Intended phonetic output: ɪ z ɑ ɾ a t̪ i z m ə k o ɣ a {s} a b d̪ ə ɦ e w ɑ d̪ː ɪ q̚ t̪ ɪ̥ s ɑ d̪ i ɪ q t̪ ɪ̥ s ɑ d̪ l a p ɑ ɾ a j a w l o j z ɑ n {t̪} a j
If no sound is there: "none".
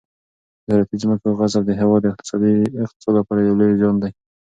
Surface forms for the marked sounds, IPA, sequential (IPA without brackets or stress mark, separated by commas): z, d̪